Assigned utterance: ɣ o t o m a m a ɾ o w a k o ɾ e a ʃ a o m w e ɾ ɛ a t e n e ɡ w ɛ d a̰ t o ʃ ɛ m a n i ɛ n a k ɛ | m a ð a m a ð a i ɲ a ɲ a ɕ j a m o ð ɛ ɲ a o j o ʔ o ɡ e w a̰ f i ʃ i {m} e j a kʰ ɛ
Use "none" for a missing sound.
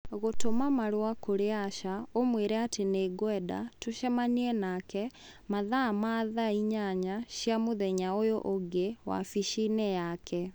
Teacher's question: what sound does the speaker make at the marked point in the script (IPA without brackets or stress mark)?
n